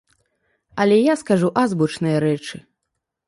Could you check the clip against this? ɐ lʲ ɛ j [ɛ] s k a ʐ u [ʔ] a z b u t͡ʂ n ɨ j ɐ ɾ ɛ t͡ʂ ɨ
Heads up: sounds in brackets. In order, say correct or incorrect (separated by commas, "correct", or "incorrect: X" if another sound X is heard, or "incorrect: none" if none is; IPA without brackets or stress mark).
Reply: incorrect: a, correct